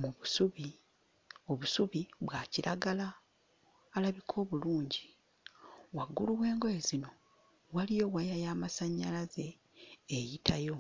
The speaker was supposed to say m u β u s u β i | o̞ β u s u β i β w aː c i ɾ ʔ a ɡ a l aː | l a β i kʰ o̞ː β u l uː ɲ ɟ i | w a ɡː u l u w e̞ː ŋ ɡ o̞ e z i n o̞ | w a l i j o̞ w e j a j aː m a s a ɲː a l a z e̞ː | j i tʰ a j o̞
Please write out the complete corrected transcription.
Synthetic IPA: m u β u s u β i | o̞ β u s u β i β w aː c i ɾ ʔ a ɡ a l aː | l a β i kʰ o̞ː β u l uː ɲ ɟ i | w a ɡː u l u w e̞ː ŋ ɡ o̞ e z i n o̞ | w a l i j o̞ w a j a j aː m a s a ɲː a l a z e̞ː | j i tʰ a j o̞